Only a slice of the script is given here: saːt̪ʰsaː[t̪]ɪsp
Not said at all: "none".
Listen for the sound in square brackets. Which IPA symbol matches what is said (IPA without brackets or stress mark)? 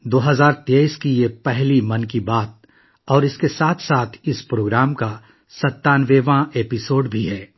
t̪ʰ